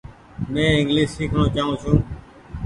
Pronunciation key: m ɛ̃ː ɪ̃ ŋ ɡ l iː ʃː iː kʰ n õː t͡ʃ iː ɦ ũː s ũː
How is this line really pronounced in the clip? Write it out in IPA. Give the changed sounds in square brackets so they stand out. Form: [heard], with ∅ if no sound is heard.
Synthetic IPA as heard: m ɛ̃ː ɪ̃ ŋ ɡ l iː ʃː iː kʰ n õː t͡ʃ [aː] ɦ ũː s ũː